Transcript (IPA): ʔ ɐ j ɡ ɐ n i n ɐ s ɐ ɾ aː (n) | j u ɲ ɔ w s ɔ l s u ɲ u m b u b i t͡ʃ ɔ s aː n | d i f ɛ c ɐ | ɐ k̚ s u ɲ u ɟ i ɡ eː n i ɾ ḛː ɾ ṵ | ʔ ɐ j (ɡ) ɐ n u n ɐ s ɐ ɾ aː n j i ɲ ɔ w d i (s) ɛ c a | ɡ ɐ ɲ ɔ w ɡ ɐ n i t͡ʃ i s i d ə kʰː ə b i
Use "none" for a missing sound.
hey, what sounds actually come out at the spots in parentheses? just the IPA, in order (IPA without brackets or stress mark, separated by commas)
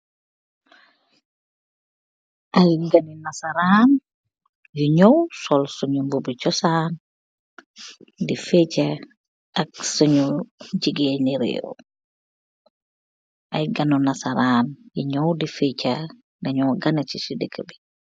n, ɡ, f